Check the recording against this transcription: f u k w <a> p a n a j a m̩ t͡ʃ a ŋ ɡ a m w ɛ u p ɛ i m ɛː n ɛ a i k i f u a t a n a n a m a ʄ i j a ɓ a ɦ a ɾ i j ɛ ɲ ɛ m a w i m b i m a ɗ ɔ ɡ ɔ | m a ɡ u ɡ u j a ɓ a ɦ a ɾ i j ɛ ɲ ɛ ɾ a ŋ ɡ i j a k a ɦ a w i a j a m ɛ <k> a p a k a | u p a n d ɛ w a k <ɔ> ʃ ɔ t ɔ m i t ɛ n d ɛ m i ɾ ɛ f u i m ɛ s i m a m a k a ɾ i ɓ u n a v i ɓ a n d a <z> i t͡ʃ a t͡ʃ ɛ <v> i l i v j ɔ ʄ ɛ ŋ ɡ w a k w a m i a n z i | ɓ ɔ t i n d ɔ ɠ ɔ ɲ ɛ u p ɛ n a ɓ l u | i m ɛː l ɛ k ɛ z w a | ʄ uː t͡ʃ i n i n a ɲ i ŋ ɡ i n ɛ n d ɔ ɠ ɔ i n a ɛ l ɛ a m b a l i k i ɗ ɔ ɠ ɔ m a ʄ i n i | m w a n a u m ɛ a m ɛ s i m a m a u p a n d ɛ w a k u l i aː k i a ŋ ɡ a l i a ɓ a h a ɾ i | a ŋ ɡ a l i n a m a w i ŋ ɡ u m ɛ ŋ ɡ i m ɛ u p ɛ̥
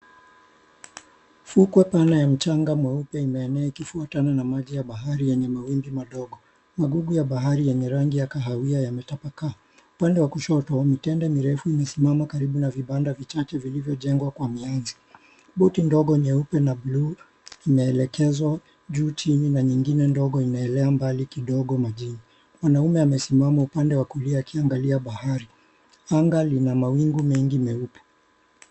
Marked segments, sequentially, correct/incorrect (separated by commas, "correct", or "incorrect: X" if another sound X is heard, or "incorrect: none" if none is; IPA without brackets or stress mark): incorrect: ɛ, incorrect: t, incorrect: u, incorrect: v, correct